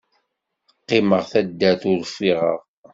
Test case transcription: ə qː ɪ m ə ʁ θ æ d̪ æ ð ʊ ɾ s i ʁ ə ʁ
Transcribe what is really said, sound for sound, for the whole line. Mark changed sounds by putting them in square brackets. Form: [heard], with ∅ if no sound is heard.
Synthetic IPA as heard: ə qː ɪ m ə ʁ θ æ [d̪ː] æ [θ] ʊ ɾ [f] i ʁ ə ʁ